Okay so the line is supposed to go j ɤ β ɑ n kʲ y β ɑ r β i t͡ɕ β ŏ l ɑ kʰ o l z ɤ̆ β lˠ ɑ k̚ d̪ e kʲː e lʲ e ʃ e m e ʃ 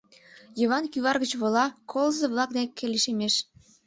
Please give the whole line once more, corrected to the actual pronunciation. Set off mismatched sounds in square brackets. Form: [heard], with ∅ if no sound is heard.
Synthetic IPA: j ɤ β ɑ n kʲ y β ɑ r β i t͡ɕ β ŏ l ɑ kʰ o l z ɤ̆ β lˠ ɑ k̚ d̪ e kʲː e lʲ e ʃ e m e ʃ